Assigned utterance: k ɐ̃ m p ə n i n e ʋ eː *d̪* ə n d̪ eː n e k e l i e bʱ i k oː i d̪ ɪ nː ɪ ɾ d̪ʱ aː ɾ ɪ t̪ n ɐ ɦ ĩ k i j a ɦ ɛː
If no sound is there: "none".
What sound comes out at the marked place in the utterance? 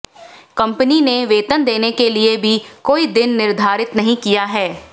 t̪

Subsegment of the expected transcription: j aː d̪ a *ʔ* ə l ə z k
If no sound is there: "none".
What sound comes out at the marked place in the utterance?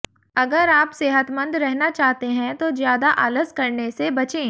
ʔ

